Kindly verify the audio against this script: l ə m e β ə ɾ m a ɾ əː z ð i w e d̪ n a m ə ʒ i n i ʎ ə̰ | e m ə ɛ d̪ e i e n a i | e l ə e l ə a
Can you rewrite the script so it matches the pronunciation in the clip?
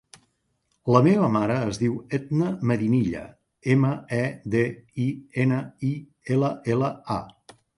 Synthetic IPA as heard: l ə m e β ə m a ɾ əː z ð i w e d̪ n ə m ə ð i n i ʎ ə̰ | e m ə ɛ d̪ e i e n ə i | e l ə e l ə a